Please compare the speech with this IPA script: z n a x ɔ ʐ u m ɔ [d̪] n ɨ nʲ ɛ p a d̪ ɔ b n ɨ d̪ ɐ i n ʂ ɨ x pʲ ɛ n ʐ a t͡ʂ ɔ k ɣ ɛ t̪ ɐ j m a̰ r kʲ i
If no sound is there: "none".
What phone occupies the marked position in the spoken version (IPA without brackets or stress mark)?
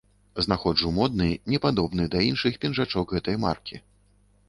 d̪